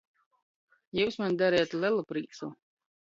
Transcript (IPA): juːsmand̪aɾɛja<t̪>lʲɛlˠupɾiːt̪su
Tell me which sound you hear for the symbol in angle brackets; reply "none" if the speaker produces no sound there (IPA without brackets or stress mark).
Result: t̪